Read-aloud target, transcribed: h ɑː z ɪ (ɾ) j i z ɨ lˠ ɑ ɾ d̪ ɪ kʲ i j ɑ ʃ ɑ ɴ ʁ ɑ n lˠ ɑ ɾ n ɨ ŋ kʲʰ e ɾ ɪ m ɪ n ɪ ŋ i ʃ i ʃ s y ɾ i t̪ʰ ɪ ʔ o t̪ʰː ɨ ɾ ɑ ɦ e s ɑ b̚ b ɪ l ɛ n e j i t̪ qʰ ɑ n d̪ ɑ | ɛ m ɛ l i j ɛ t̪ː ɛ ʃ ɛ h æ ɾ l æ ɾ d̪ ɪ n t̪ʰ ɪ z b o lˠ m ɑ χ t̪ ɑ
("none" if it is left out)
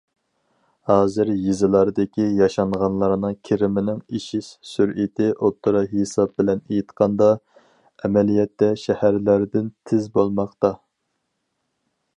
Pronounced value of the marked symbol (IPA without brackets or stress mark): ɾ